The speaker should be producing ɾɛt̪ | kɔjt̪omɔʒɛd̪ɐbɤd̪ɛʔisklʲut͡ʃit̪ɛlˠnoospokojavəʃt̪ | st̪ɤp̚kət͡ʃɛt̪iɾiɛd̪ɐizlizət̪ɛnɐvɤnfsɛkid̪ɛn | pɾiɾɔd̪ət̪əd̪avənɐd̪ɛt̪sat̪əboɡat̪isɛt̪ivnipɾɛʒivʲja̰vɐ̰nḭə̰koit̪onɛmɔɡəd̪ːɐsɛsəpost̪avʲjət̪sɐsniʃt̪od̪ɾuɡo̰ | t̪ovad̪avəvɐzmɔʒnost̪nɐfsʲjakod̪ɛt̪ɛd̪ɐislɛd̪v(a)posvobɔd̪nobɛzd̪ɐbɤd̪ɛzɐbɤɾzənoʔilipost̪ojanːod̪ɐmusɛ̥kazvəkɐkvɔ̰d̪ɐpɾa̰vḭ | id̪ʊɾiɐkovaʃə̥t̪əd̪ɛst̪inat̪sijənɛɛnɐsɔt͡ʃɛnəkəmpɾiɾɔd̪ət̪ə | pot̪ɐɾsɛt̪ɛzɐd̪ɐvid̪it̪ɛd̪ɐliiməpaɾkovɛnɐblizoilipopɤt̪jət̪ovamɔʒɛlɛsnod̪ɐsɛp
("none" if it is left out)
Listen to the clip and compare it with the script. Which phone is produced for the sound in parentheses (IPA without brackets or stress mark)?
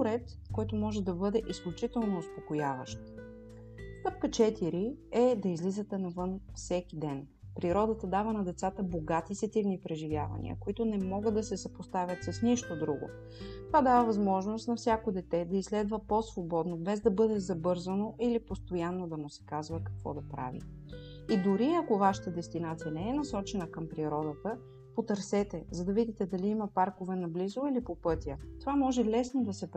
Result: ə